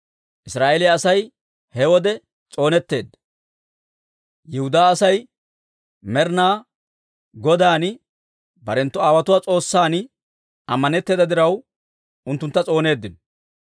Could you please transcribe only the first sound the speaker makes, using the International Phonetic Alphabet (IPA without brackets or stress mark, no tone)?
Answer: ʔ